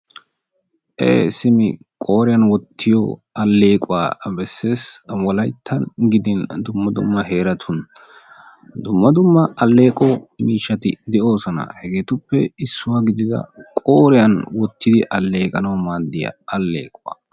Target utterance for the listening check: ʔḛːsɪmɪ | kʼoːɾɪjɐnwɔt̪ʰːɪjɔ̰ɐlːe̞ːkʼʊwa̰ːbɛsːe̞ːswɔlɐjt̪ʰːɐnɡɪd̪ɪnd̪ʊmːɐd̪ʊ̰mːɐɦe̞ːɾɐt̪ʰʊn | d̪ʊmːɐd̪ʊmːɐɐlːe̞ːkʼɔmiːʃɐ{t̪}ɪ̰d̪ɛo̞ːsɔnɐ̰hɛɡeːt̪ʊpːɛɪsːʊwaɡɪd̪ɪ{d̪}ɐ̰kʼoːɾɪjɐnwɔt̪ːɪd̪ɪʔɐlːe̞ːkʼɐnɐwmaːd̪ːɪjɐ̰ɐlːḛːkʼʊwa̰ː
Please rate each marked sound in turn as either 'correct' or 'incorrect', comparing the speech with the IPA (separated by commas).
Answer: correct, correct